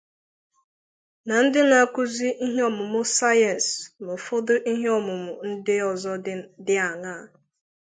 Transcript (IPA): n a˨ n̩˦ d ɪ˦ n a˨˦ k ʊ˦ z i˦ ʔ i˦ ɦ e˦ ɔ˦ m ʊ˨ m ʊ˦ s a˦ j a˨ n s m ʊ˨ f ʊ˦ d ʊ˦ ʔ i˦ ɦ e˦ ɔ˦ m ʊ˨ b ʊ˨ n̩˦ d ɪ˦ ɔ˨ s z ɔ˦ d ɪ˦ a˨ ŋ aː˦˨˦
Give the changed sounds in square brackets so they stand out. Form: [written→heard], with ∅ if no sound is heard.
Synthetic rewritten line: n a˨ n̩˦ d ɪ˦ n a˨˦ k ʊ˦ z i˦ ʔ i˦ ɦ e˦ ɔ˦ m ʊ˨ m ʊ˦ s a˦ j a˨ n s m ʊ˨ f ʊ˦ d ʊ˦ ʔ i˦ ɦ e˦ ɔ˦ m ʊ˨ [b→m] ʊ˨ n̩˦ d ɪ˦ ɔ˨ [s→∅] z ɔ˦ d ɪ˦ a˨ ŋ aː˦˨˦